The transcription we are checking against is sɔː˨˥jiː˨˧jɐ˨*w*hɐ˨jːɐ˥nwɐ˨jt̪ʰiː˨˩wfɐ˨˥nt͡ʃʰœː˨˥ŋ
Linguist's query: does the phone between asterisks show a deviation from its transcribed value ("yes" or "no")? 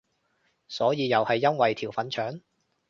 no